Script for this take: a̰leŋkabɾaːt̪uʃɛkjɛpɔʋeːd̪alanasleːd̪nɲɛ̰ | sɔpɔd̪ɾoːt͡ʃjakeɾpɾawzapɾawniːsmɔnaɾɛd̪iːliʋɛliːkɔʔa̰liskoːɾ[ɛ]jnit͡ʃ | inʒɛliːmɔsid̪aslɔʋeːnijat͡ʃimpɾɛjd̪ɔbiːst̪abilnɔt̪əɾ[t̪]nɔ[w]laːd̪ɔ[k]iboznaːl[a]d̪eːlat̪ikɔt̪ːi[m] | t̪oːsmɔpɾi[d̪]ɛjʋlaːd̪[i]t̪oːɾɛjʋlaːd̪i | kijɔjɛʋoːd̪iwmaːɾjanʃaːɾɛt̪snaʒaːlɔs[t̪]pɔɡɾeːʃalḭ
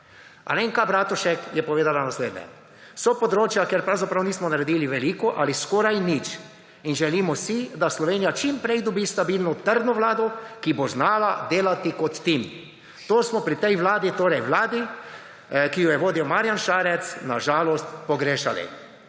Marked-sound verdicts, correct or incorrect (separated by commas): incorrect, incorrect, incorrect, correct, correct, correct, incorrect, correct, correct